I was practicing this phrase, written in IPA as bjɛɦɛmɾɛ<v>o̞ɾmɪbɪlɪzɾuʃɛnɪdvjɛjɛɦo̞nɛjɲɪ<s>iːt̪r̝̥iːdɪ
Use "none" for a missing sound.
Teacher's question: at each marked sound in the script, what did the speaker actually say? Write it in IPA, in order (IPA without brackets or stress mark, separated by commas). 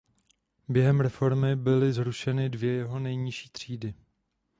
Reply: f, ʃ